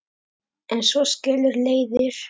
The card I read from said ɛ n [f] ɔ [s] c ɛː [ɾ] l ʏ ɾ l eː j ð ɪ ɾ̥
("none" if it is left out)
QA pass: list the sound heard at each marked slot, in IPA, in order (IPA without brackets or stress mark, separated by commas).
s, s, none